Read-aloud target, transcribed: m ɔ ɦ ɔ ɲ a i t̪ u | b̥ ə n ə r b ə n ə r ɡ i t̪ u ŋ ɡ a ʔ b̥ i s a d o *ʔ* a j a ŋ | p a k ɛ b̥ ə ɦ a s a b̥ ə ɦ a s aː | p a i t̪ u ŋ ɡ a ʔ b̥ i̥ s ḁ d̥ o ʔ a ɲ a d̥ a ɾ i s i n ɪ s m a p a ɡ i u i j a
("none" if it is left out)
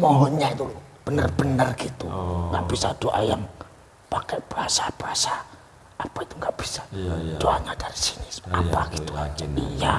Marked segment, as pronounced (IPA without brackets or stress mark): ʔ